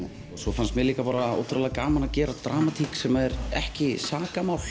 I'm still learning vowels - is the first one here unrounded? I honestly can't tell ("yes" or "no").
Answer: no